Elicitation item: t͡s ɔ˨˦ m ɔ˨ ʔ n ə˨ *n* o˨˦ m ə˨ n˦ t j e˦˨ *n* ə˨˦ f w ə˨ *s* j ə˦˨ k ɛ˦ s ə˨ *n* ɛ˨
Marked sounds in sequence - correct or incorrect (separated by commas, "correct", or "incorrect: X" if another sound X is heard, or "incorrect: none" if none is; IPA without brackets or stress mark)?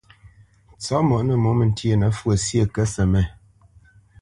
incorrect: m, correct, correct, incorrect: m